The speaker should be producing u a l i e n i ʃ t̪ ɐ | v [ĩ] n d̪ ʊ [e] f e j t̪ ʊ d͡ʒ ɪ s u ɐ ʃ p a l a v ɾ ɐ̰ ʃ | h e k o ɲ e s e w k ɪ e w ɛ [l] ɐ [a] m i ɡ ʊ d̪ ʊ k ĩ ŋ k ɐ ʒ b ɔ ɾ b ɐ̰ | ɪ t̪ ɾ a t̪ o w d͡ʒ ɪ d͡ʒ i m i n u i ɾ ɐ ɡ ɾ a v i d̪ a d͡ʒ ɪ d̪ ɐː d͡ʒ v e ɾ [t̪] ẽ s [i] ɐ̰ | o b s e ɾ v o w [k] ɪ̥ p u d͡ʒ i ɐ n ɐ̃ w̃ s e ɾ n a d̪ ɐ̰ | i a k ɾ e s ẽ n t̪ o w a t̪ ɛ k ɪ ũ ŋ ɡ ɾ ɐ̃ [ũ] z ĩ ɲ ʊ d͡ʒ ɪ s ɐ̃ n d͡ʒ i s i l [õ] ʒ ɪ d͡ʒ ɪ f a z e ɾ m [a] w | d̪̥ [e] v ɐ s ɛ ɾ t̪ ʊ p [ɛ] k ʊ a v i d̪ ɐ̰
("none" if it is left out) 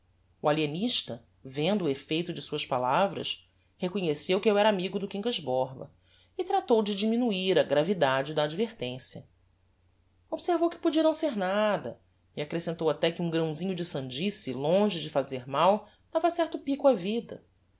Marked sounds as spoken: ẽ, e, ɾ, a, t̪, j, k, w̃, õ, a, a, i

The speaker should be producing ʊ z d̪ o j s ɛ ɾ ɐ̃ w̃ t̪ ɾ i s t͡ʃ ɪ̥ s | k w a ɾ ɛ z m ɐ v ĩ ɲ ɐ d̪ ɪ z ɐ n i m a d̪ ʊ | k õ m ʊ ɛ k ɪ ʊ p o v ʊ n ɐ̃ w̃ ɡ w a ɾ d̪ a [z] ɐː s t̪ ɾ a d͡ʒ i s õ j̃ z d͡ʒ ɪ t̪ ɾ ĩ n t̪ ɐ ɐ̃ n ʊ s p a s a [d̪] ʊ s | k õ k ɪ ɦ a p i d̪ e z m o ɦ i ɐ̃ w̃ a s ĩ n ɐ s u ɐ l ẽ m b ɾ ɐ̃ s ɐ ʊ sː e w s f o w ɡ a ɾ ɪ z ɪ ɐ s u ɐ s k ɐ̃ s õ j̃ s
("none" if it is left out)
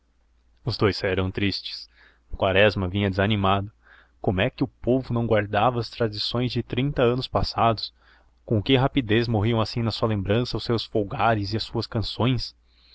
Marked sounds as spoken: v, d̪

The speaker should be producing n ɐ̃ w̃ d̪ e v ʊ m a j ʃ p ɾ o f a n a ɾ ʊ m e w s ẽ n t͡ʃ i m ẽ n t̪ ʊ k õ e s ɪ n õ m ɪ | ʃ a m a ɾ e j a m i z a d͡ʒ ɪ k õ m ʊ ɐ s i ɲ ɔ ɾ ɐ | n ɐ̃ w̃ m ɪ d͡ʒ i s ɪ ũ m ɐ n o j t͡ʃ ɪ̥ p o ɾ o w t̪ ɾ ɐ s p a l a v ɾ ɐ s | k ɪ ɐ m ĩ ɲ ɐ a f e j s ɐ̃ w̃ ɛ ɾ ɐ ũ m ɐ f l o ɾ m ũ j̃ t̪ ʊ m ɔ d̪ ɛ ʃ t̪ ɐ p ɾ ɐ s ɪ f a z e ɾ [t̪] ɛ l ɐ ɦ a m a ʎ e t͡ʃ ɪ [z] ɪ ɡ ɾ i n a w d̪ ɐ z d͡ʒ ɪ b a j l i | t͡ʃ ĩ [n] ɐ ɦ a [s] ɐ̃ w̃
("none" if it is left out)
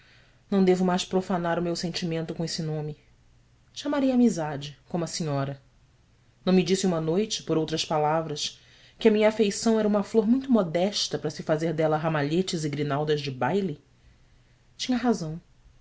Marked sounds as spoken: d̪, z, ɲ, z

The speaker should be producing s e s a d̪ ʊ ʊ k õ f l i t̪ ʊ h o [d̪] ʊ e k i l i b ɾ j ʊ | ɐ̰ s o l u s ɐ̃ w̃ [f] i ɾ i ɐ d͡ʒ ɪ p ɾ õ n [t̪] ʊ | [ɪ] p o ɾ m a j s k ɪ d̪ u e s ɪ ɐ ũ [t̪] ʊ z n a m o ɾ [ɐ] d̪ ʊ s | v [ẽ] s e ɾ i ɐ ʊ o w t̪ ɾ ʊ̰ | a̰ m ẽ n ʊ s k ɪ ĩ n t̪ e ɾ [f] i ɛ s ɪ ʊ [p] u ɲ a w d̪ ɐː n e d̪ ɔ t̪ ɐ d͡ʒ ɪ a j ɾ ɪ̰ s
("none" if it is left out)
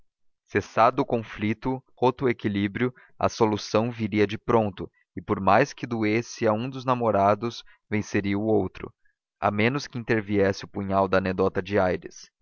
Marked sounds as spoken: t̪, v, t̪, ɪ, d̪, a, ẽ, v, p

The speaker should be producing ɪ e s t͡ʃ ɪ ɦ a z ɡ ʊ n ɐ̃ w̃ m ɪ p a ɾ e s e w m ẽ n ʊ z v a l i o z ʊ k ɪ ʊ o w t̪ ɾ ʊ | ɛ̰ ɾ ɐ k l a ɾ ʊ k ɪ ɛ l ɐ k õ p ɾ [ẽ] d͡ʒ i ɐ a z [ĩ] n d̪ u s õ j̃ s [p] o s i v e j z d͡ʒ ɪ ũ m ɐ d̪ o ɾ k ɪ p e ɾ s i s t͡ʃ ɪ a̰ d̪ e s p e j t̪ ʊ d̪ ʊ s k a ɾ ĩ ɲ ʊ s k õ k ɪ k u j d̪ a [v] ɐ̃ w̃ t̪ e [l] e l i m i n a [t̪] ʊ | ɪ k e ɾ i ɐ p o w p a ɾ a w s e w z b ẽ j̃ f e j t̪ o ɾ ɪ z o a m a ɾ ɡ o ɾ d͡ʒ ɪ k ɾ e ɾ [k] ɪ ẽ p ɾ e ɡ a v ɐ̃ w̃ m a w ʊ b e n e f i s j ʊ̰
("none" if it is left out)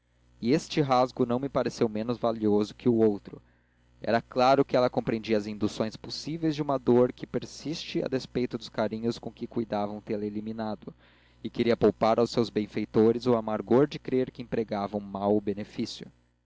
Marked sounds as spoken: ẽ, ĩ, p, v, l, d̪, k

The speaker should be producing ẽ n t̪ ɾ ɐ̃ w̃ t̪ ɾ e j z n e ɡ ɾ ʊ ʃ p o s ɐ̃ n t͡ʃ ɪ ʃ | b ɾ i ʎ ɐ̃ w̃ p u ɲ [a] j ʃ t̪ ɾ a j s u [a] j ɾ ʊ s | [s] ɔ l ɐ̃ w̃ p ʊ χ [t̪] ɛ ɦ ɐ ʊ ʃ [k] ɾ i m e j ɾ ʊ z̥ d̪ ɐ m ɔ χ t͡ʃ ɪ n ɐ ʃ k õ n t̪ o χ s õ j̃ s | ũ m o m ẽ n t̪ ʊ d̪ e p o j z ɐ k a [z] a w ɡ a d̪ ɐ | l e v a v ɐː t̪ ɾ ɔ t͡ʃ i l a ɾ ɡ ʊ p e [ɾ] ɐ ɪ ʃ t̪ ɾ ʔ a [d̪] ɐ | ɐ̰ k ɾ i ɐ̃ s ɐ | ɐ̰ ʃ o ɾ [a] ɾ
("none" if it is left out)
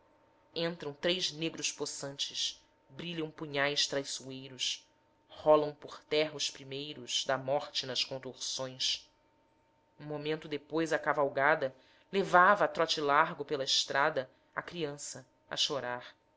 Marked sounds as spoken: a, e, h, t̪, p, v, l, d̪, a

